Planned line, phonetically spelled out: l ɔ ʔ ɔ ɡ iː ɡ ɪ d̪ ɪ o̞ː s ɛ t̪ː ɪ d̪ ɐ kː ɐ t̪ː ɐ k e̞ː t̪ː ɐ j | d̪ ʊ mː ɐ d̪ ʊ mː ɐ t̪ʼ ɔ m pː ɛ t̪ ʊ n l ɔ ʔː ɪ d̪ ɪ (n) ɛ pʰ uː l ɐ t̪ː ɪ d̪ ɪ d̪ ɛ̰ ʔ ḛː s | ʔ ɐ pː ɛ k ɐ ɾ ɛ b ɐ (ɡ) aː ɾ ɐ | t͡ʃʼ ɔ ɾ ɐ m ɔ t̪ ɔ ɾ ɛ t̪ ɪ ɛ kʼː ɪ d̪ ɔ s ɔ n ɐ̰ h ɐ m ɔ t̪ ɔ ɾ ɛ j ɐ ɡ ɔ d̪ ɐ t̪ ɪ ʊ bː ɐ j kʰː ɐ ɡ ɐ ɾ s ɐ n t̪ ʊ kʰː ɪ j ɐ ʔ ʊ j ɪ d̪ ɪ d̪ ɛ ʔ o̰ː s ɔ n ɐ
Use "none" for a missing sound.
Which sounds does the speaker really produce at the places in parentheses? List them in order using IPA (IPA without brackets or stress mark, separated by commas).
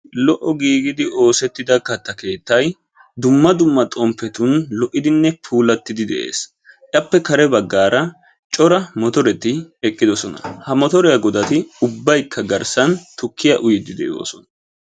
nː, ɡː